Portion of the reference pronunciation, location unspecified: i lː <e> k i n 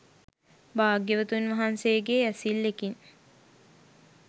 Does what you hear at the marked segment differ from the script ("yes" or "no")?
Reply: no